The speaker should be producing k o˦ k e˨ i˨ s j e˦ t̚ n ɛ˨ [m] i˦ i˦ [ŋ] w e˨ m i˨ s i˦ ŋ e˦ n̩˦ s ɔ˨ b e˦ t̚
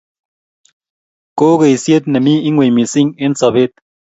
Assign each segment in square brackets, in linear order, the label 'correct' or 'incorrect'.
correct, correct

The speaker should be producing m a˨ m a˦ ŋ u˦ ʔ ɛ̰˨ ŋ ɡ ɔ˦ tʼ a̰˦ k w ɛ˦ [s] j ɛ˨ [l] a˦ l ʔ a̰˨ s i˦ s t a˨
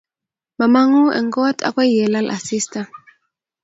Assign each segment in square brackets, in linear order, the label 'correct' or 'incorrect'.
incorrect, correct

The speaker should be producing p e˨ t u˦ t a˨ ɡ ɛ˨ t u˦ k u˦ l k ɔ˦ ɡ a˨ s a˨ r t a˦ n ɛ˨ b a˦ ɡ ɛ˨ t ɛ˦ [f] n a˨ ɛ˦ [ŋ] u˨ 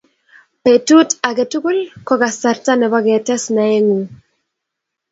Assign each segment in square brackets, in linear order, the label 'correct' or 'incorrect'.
incorrect, correct

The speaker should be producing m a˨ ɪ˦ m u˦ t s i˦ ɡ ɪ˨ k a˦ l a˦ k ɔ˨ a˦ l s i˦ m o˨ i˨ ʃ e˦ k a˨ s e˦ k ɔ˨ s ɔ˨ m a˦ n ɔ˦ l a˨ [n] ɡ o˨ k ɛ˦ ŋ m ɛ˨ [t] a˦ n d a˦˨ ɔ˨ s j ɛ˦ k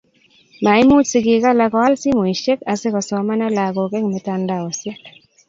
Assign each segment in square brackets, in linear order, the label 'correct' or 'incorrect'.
incorrect, correct

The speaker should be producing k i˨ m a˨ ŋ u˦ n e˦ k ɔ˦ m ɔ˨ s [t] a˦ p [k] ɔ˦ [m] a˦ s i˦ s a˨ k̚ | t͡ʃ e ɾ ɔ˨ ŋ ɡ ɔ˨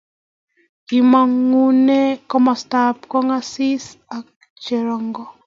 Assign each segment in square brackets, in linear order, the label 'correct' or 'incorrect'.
correct, correct, incorrect

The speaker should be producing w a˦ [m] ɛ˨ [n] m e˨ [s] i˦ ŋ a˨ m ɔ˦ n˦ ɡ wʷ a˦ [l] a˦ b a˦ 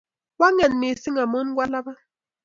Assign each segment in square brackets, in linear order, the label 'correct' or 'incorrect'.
incorrect, correct, correct, correct

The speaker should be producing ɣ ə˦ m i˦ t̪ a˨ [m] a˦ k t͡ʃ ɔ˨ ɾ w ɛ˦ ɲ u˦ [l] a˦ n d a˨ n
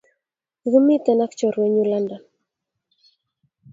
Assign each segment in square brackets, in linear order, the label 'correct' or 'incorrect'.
incorrect, correct

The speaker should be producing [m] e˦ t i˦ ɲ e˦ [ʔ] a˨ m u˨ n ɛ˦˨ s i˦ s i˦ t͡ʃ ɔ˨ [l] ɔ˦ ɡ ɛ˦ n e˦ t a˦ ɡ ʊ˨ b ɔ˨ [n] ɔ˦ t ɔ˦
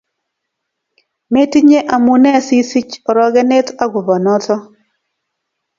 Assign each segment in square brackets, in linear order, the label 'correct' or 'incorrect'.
correct, correct, incorrect, correct

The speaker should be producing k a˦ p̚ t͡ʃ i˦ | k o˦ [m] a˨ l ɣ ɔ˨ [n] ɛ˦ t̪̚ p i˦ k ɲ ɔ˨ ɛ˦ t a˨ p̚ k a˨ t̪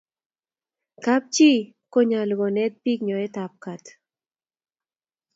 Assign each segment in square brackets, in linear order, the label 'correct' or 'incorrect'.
incorrect, correct

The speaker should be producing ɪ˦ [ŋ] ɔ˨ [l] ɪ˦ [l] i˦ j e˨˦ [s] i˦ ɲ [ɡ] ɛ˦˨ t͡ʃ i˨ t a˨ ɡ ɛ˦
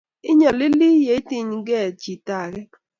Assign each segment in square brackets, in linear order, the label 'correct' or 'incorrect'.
incorrect, correct, correct, incorrect, correct

